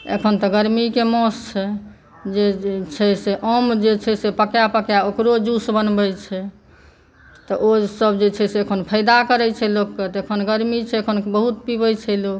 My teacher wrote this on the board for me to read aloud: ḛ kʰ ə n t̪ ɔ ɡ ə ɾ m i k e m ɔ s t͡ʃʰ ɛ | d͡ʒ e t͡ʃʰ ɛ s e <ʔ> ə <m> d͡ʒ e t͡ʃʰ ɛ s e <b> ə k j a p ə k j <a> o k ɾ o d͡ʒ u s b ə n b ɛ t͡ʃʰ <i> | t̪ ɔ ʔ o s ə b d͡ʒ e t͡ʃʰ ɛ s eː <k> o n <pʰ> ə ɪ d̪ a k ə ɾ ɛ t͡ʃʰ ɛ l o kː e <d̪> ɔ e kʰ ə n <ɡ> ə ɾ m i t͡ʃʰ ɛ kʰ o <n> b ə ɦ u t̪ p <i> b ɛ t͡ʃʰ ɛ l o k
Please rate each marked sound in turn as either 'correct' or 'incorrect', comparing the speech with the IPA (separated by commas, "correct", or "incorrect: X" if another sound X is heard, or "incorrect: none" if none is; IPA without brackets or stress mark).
correct, correct, incorrect: p, correct, incorrect: ɛ, incorrect: kʰ, correct, incorrect: t̪, correct, correct, correct